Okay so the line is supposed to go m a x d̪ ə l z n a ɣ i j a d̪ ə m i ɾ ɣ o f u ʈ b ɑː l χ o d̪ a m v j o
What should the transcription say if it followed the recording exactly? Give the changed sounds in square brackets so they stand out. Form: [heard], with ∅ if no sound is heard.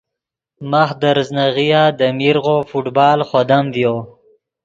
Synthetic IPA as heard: m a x d̪ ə [ɾ] z n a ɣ i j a d̪ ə m i ɾ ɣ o f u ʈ b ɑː l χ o d̪ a m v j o